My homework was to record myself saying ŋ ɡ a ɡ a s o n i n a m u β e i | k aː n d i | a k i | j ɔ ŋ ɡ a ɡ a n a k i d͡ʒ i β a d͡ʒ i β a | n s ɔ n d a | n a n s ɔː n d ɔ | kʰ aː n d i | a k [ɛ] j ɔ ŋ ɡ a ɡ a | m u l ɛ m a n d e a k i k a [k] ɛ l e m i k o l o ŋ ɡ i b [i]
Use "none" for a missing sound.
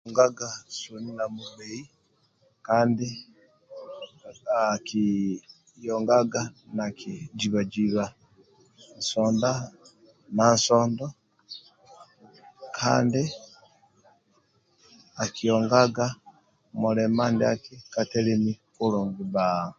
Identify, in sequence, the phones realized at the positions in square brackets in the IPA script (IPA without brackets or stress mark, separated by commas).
i, t, a